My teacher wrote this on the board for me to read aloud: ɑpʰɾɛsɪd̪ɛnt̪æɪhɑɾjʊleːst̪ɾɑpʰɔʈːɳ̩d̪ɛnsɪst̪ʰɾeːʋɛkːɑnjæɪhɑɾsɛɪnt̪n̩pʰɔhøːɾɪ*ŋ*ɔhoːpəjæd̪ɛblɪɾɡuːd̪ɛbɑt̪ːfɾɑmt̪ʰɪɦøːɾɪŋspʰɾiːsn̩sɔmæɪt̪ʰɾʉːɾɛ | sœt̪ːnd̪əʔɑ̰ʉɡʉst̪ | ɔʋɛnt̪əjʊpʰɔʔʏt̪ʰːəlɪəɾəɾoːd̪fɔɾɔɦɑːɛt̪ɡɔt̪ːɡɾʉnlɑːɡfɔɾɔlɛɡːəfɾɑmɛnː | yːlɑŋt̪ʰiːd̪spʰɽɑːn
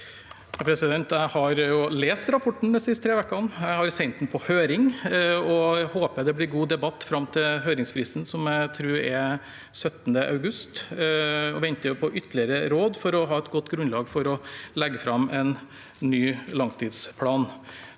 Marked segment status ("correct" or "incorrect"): correct